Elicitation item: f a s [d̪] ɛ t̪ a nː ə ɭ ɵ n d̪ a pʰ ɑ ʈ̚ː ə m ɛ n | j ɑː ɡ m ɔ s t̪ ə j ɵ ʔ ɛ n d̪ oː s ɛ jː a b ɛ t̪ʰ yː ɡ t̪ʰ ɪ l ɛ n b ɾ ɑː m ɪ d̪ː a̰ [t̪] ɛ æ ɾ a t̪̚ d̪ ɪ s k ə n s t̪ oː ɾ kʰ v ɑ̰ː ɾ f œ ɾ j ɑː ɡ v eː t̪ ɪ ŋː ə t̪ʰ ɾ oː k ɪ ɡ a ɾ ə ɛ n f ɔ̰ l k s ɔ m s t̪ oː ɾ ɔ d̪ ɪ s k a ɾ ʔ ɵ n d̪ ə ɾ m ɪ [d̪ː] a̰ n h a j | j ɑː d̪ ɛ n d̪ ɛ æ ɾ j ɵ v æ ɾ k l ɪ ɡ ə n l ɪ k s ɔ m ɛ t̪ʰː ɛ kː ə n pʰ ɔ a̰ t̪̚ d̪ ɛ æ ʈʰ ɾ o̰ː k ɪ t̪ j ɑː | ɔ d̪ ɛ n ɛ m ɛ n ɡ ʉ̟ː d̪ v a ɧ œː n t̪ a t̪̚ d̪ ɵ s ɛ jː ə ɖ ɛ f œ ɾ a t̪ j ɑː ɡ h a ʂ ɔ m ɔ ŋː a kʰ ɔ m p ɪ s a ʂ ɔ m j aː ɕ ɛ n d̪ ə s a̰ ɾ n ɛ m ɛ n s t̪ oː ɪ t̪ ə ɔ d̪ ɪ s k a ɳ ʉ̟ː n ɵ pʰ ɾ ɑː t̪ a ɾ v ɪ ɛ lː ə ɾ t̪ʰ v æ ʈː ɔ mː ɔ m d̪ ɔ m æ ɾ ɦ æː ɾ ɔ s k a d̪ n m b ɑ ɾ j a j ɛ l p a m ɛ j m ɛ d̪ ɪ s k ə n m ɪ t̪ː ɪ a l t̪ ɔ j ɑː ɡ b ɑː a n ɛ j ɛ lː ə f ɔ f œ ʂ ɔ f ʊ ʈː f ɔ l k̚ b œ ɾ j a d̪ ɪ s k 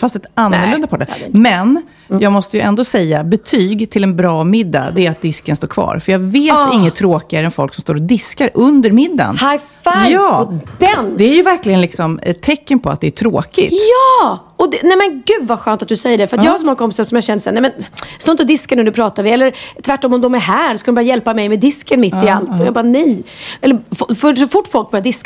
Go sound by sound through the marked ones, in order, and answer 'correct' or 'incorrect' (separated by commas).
incorrect, incorrect, correct